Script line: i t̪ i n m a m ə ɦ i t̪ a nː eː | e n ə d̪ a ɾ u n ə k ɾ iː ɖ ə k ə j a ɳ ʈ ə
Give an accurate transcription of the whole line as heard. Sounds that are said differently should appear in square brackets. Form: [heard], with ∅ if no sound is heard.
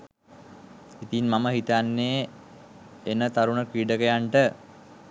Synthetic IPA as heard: i t̪ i n m a m ə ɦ i t̪ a nː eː | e n ə [t̪] a ɾ u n ə k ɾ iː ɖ ə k ə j a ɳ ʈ ə